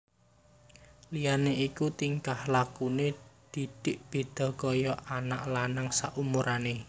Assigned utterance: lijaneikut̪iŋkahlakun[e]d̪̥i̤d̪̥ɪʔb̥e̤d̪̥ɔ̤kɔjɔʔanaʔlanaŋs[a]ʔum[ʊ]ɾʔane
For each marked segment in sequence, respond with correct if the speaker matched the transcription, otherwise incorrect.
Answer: correct, correct, incorrect: u

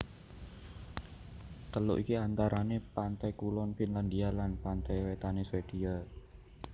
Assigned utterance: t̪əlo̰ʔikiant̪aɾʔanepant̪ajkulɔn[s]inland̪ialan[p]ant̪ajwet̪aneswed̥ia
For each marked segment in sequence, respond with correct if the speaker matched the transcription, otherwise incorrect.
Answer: incorrect: f, correct

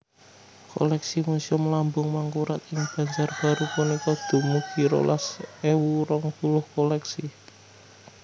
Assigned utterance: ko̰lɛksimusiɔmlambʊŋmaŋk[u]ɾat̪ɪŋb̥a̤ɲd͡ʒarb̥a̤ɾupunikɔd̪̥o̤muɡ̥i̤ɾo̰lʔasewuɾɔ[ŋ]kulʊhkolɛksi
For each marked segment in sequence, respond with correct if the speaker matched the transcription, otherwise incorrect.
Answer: correct, correct

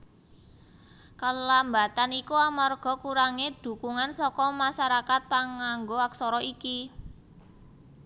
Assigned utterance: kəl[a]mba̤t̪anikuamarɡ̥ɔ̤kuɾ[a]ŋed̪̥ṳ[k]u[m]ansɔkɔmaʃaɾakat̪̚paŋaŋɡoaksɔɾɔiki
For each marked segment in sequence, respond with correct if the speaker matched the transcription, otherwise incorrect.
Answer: correct, correct, correct, incorrect: ŋ

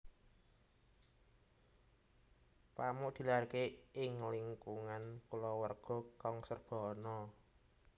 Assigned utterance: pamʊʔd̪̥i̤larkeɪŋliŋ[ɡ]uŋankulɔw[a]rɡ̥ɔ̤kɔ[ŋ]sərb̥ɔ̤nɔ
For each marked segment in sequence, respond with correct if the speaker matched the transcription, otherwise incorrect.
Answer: incorrect: k, incorrect: ə, correct

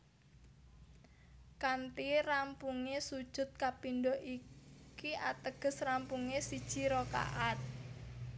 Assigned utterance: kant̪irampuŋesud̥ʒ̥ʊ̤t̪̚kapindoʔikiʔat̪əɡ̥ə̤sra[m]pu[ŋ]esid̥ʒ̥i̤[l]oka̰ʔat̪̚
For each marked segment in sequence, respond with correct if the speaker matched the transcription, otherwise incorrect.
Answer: correct, correct, incorrect: ɾ

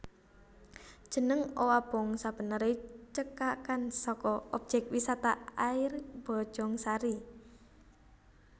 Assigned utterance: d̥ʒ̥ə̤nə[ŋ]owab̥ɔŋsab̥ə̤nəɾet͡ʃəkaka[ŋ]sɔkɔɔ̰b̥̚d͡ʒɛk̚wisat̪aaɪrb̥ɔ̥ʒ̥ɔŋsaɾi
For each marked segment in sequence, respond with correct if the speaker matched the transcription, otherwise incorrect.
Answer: correct, incorrect: n

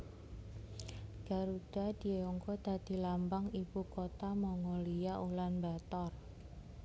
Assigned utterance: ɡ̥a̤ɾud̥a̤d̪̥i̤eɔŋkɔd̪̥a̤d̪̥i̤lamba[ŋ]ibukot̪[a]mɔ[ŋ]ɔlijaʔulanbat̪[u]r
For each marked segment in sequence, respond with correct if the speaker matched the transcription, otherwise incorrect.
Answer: correct, correct, correct, incorrect: ɔ

